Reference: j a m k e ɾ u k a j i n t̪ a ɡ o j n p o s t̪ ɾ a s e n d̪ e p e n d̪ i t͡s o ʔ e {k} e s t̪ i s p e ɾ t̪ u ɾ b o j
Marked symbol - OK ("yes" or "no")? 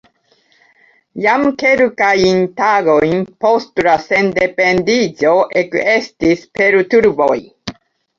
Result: yes